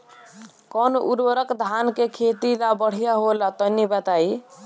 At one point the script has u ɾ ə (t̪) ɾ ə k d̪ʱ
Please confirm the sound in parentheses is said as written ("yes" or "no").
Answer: no